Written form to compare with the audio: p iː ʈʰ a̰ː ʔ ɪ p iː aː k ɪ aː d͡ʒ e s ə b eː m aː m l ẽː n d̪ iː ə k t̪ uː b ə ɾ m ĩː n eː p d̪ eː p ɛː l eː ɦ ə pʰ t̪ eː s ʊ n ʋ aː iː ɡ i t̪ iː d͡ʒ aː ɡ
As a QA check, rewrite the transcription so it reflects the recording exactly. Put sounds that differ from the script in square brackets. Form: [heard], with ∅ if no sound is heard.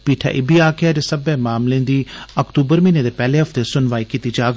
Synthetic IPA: p iː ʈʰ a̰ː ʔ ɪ [b] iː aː k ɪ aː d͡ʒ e s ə b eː m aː m l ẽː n d̪ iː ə k t̪ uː b ə ɾ m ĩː n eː [∅] d̪ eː p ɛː l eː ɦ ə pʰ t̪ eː s ʊ n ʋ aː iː [k] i t̪ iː d͡ʒ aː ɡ

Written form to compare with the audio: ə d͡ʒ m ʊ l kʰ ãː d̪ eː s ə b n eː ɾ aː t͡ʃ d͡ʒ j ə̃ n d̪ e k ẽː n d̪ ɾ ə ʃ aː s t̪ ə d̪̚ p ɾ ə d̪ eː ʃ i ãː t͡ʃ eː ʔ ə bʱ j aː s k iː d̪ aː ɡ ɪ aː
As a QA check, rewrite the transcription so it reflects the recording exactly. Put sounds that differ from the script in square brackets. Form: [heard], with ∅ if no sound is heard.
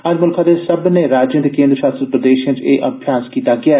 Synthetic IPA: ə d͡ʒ m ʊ l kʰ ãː d̪ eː s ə b n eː ɾ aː [∅] d͡ʒ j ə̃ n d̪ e k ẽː n d̪ ɾ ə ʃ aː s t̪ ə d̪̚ p ɾ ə d̪ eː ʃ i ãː t͡ʃ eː ʔ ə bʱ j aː s k iː [t̪] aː ɡ ɪ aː

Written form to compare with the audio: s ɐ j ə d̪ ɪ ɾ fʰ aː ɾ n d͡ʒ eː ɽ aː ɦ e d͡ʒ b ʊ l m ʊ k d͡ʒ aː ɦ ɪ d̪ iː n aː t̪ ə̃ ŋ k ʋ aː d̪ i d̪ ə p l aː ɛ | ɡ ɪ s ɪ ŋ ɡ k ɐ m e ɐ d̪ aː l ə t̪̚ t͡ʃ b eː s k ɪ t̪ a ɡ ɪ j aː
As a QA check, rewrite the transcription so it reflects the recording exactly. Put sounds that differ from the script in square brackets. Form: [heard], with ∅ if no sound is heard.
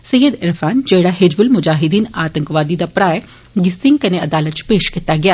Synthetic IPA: s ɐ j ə d̪ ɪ ɾ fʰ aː [∅] n d͡ʒ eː ɽ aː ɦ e d͡ʒ b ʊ l m ʊ [∅] d͡ʒ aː ɦ ɪ d̪ iː n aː t̪ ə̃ ŋ k ʋ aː d̪ i d̪ [a] p [ɾ] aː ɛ | ɡ ɪ s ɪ ŋ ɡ k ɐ [n] e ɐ d̪ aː l ə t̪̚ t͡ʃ [p] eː [ʃ] k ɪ t̪ a ɡ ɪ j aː

